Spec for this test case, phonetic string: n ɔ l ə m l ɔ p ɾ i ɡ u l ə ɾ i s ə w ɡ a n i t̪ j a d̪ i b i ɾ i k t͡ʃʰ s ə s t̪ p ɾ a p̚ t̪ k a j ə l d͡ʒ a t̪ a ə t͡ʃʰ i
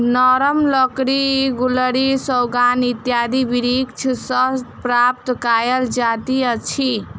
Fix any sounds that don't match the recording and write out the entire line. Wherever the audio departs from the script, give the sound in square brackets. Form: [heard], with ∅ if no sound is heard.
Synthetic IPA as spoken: n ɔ [ɾ] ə m l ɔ [k] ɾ i ɡ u l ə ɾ i s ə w ɡ a n i t̪ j a d̪ i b i ɾ i k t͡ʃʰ s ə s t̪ p ɾ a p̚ t̪ k a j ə l d͡ʒ a t̪ [i] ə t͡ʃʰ i